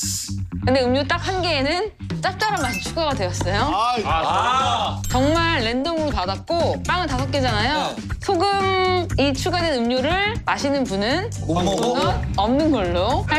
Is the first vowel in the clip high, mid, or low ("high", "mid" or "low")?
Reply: high